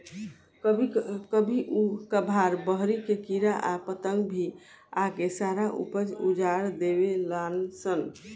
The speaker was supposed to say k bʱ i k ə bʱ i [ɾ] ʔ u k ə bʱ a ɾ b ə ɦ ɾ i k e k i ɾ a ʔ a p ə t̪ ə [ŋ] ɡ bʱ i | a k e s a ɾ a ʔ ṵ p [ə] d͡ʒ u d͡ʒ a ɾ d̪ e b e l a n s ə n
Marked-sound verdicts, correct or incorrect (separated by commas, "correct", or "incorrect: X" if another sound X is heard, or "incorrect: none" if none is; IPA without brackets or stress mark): incorrect: none, correct, correct